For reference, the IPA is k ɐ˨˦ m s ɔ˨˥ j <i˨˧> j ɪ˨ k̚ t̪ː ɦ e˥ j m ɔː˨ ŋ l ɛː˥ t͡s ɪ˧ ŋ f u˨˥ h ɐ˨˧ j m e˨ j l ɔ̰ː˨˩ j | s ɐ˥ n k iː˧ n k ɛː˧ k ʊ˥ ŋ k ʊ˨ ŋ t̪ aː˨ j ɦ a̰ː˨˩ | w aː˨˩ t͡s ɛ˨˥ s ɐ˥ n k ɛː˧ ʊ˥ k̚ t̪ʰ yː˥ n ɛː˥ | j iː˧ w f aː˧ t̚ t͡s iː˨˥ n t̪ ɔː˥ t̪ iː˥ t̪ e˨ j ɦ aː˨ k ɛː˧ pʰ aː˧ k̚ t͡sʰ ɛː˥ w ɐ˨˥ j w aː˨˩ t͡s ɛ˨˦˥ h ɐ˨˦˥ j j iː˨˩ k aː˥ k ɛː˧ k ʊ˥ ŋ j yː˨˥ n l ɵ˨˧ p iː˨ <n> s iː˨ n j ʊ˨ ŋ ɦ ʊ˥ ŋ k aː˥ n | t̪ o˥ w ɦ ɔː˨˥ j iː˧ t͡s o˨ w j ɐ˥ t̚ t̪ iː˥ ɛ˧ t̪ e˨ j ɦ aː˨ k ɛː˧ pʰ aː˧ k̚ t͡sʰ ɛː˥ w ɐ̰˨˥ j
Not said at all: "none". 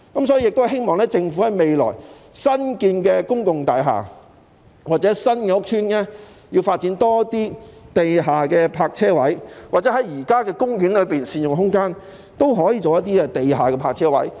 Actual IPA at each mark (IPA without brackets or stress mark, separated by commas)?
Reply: i˨˧, n